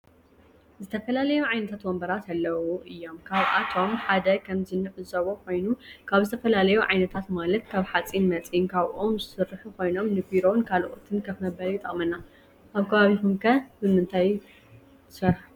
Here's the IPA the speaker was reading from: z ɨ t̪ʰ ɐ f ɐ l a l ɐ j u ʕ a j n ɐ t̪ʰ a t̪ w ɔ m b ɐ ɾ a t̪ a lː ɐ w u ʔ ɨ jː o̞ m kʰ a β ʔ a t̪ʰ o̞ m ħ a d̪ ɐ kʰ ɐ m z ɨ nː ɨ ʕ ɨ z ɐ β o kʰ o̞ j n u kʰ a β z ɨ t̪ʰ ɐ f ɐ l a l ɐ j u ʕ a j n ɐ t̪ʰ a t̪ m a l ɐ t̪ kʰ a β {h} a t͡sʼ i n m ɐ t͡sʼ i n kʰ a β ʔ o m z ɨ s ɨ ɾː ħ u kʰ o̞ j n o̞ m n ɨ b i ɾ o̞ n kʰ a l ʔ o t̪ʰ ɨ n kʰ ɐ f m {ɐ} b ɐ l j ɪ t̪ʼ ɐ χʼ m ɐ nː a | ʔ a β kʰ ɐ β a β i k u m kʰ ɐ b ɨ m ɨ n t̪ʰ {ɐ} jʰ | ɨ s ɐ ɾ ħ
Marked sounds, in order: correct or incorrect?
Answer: incorrect, correct, incorrect

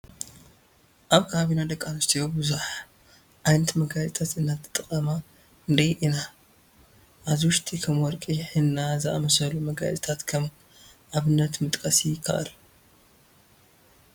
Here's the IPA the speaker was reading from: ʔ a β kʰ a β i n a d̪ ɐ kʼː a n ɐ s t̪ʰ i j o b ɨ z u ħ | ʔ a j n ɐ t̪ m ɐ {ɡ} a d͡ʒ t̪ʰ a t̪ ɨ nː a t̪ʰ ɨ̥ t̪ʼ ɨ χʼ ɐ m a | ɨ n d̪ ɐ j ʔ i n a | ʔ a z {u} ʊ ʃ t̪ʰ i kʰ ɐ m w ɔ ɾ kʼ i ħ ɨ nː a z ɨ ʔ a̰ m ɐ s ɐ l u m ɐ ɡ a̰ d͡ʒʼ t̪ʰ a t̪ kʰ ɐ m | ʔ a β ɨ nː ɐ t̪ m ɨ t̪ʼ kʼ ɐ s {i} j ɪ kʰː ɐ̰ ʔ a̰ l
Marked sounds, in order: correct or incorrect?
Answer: correct, incorrect, correct

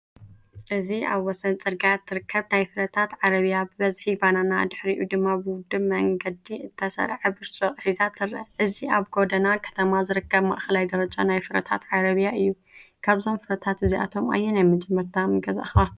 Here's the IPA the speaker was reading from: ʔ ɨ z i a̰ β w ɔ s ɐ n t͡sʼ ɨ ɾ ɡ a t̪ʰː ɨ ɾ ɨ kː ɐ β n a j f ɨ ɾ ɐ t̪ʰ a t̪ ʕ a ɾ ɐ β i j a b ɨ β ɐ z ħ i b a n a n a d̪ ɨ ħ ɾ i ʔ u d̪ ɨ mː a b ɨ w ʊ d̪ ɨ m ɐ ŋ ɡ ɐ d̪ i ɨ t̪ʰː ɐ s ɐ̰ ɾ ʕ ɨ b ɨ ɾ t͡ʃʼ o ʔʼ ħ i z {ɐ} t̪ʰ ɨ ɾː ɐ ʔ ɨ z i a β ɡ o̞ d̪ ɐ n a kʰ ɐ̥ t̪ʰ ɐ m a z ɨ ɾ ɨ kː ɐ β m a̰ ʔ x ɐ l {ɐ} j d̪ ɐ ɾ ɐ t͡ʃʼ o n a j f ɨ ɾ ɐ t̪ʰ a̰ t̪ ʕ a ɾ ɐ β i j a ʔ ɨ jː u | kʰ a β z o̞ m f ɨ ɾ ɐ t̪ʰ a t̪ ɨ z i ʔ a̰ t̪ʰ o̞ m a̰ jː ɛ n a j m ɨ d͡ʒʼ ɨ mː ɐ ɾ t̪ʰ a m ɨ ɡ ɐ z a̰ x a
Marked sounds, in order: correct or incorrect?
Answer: incorrect, incorrect

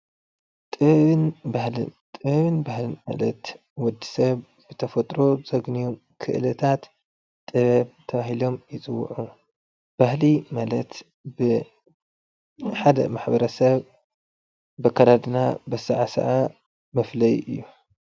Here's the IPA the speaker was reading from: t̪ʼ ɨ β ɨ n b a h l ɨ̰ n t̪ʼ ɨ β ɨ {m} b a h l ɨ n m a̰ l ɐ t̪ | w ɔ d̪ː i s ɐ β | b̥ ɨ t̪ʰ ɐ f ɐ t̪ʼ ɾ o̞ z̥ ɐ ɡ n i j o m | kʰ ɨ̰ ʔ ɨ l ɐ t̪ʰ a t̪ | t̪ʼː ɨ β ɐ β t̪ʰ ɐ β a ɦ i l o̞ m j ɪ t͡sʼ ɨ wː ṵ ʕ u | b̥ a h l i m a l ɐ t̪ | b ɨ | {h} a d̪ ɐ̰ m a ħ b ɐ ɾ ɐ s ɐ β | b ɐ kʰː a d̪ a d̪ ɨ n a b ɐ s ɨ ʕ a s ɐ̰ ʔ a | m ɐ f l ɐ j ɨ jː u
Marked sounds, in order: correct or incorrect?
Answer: incorrect, incorrect

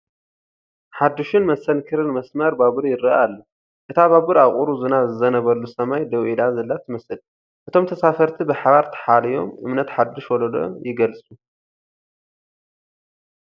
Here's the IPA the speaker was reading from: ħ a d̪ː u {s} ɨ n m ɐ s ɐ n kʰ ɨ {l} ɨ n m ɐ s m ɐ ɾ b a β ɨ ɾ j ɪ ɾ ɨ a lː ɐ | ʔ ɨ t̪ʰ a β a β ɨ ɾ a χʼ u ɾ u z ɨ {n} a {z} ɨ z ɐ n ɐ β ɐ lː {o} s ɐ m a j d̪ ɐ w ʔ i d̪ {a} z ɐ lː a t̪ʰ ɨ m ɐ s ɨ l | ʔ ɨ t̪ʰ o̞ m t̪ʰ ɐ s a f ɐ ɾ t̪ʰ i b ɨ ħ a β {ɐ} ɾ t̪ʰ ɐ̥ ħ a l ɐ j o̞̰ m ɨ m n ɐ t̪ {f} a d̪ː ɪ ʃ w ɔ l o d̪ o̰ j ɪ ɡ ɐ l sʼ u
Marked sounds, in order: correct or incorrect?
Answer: incorrect, incorrect, correct, correct, incorrect, correct, incorrect, incorrect

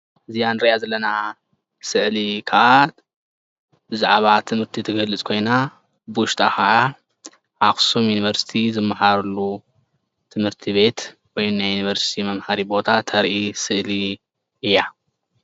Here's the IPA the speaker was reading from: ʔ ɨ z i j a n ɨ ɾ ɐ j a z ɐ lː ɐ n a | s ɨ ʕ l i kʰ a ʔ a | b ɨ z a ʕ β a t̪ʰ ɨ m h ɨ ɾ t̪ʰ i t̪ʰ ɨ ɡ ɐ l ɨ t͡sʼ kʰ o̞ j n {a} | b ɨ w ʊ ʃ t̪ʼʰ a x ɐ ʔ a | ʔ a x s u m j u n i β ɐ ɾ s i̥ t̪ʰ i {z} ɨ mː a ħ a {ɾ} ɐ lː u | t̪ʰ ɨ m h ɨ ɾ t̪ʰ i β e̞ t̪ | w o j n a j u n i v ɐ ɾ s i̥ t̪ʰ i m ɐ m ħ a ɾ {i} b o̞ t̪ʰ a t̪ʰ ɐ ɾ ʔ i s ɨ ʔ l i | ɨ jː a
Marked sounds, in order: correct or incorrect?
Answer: correct, correct, correct, correct

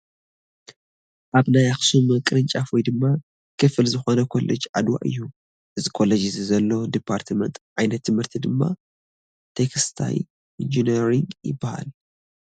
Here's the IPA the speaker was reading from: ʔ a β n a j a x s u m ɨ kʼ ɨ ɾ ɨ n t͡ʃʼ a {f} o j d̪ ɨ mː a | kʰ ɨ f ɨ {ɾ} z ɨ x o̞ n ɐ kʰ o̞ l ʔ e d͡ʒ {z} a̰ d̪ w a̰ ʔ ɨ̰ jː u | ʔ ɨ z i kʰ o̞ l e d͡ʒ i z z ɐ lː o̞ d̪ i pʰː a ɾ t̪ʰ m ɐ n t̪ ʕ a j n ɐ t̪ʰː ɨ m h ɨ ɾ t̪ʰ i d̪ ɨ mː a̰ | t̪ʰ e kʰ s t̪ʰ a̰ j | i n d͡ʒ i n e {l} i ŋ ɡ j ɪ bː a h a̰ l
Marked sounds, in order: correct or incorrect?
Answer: correct, incorrect, incorrect, incorrect

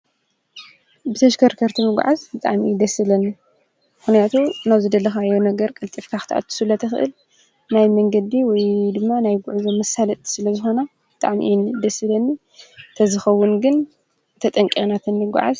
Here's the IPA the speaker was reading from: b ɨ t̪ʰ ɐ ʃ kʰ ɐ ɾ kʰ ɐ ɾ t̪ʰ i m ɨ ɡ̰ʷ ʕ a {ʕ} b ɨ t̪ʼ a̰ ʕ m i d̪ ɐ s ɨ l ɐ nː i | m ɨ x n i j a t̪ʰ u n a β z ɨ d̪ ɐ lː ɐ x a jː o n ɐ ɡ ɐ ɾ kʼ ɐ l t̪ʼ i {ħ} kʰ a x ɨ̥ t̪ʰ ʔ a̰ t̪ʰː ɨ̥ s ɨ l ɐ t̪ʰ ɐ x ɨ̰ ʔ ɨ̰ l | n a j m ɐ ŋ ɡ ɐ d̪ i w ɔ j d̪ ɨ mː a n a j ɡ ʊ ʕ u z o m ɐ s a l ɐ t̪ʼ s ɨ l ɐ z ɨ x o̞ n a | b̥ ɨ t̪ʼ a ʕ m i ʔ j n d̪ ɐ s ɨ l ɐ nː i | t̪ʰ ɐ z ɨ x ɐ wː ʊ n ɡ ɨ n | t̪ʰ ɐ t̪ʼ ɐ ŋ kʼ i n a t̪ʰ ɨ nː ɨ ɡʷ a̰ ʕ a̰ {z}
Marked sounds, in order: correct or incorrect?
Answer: incorrect, incorrect, correct

